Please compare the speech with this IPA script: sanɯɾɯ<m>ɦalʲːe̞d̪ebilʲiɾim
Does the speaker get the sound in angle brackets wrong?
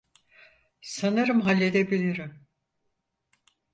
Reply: no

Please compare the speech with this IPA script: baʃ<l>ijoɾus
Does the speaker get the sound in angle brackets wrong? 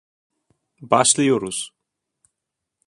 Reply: no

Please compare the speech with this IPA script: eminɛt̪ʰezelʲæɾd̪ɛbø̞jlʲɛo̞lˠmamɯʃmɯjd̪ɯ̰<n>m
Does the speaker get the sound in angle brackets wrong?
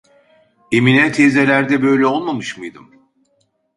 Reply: yes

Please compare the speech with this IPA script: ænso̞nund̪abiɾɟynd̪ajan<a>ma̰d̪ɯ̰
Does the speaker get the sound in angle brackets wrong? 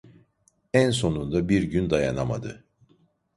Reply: no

